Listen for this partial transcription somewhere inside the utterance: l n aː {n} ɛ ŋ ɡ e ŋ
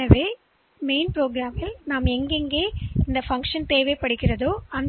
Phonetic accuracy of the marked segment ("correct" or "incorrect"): incorrect